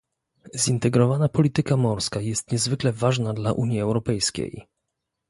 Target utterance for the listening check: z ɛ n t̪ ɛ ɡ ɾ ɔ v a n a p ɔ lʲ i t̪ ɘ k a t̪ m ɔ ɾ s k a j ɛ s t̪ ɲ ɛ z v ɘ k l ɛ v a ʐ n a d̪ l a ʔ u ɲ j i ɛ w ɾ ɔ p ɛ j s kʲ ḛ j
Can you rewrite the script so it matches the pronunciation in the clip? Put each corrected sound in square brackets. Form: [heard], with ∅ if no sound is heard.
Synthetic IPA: z [i] n t̪ ɛ ɡ ɾ ɔ v a n a p ɔ lʲ i t̪ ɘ k a [∅] m ɔ ɾ s k a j ɛ s t̪ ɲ ɛ z v ɘ k l ɛ v a ʐ n a d̪ l a ʔ u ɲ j i ɛ w ɾ ɔ p ɛ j s kʲ ḛ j